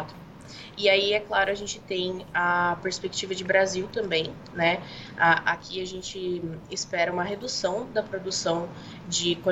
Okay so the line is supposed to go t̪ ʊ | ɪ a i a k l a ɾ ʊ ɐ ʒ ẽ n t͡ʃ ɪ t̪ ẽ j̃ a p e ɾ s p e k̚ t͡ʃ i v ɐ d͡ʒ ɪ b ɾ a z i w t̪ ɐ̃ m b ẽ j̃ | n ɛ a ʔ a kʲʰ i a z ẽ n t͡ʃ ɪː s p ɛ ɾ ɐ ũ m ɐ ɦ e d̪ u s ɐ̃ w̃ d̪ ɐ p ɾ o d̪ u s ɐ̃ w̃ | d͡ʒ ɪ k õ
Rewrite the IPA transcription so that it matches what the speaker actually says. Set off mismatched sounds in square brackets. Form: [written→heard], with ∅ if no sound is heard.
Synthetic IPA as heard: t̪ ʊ | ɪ a i [a→ɛ] k l a ɾ ʊ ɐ ʒ ẽ n t͡ʃ ɪ t̪ ẽ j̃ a p e ɾ s p e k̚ t͡ʃ i v ɐ d͡ʒ ɪ b ɾ a z i w t̪ ɐ̃ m b ẽ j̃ | n ɛ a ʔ a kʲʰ i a [z→ʒ] ẽ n t͡ʃ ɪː s p ɛ ɾ ɐ ũ m ɐ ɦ e d̪ u s ɐ̃ w̃ d̪ ɐ p ɾ o d̪ u s ɐ̃ w̃ | d͡ʒ ɪ k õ